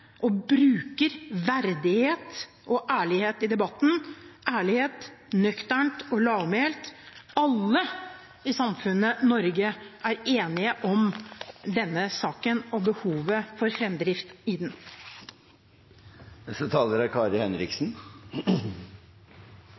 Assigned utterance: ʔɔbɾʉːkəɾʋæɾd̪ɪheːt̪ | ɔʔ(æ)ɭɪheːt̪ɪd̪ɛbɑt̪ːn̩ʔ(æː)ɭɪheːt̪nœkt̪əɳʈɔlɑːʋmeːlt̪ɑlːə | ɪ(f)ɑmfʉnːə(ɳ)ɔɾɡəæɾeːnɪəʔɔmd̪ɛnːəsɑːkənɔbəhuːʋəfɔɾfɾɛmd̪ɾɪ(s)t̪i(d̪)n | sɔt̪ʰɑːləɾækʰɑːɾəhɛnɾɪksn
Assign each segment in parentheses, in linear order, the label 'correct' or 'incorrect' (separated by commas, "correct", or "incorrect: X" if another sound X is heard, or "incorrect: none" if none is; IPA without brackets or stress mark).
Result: incorrect: æː, correct, incorrect: s, incorrect: n, incorrect: f, correct